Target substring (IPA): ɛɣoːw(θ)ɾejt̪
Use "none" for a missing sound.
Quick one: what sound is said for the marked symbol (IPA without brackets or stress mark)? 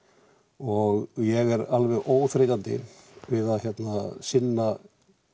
θ